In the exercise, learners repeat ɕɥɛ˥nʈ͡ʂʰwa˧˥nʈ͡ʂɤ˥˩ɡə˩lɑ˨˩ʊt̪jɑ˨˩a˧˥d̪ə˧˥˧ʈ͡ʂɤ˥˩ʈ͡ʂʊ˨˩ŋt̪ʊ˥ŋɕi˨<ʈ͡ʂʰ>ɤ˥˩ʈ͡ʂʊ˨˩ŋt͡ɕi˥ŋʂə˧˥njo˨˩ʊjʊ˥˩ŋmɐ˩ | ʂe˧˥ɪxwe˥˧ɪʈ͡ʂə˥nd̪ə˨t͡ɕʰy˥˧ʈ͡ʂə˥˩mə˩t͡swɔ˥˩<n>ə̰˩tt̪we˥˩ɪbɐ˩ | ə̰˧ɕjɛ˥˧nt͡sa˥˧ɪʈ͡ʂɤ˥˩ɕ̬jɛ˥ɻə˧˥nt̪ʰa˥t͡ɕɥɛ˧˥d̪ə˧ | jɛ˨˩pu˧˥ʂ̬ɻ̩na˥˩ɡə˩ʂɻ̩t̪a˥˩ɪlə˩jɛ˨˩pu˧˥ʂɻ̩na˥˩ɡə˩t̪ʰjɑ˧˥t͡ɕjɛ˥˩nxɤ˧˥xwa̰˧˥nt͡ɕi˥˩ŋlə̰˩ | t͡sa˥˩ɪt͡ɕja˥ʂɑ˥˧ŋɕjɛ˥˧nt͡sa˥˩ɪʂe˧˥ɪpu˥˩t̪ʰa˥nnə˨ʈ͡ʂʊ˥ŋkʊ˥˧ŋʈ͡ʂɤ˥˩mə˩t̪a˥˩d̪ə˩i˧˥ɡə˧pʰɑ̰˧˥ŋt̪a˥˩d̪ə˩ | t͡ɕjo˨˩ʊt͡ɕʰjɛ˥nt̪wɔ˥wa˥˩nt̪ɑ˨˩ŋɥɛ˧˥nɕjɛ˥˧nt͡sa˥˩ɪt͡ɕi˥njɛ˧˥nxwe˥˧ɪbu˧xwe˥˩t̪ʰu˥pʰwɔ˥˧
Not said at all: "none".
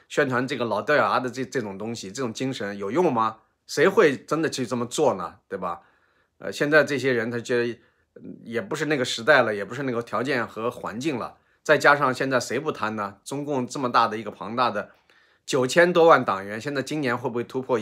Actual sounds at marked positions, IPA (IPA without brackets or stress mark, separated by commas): ʈ͡ʂ, n